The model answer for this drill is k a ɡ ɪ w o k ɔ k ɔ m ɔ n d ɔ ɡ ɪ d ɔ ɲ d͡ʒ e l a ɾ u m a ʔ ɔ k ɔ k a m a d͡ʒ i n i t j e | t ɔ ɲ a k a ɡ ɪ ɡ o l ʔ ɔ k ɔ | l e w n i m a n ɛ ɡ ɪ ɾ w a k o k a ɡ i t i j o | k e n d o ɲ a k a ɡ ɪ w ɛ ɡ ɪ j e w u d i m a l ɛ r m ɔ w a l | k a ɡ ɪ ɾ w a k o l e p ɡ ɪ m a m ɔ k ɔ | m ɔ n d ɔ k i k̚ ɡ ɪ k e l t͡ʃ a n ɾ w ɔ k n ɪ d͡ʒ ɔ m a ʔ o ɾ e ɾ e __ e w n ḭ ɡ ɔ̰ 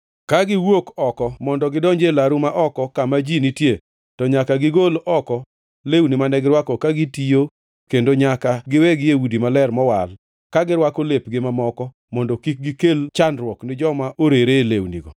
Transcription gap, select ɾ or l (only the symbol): l